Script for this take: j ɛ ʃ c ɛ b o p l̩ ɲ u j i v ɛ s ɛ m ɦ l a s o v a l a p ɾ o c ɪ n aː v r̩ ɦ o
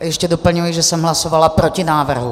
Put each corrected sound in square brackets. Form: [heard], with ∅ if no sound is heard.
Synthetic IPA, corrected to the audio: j ɛ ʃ c ɛ [d] o p l̩ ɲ u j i [ʒ] ɛ s ɛ m ɦ l a s o v a l a p ɾ o c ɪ n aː v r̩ ɦ [u]